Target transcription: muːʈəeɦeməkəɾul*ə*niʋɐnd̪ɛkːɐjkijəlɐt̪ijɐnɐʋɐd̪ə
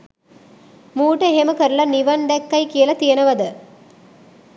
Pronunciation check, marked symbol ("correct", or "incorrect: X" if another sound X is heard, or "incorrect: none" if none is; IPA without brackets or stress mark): incorrect: ɐ